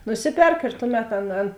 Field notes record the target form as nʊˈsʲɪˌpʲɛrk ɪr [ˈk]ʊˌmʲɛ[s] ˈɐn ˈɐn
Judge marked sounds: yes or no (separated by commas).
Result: no, no